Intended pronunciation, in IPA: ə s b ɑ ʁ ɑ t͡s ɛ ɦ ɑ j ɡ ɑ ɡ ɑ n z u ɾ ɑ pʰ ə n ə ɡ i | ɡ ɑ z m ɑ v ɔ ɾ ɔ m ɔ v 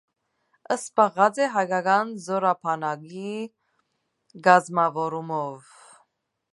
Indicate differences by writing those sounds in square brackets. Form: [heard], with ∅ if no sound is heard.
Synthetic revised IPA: ə s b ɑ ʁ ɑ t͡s ɛ ɦ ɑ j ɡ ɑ ɡ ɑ n z [ɔ] ɾ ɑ pʰ [ɑ] n [ɑ] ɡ i | ɡ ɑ z m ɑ v ɔ ɾ [u] m ɔ v